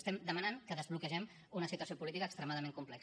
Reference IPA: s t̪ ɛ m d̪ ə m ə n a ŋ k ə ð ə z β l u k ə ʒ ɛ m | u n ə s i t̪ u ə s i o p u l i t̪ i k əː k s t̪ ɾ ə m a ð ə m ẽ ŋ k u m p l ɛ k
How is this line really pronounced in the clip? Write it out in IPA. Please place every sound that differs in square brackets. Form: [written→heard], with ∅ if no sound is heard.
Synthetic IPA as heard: s t̪ ɛ m d̪ ə m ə n a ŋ k ə ð ə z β l u k ə ʒ ɛ m | u n ə s i t̪ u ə s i o p u l i t̪ i k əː k s t̪ ɾ ə m a ð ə m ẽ ŋ k u m p l ɛ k